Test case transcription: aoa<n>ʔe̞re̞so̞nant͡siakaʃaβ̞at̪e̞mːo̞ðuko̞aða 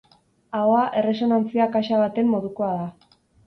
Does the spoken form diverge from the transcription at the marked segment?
yes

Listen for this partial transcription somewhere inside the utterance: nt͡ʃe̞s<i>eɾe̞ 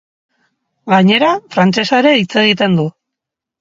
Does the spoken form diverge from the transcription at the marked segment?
yes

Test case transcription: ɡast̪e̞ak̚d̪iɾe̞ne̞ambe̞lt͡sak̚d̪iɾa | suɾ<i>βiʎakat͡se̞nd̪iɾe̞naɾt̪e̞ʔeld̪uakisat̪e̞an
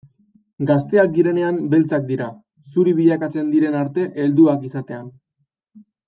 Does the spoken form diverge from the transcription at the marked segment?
no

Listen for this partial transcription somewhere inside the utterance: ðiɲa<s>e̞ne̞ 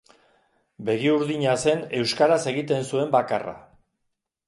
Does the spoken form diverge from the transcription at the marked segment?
no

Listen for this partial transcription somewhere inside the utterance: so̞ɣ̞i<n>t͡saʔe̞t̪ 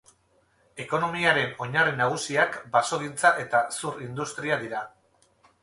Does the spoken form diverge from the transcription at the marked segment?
no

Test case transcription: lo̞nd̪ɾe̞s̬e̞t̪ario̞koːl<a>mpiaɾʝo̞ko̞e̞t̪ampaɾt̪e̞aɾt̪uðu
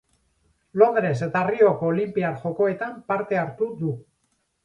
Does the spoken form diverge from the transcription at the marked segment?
yes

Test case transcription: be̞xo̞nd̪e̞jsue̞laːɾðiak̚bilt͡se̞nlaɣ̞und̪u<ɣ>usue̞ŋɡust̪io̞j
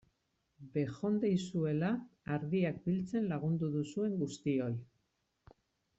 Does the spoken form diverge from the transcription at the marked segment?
yes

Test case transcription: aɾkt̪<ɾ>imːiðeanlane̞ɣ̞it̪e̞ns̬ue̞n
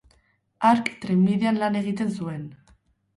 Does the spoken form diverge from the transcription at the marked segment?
no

